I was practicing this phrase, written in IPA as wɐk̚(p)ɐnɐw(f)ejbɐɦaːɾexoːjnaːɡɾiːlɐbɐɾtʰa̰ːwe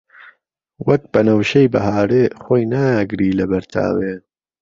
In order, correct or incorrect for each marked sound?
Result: incorrect: b, incorrect: ʃ

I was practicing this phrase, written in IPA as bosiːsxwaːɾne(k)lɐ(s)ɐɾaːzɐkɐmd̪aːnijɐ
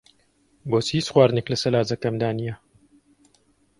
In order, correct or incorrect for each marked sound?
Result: correct, correct

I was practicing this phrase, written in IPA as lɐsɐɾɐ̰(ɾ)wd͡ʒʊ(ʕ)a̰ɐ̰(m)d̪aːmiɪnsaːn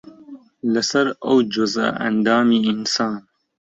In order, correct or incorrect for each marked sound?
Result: incorrect: none, incorrect: z, incorrect: n

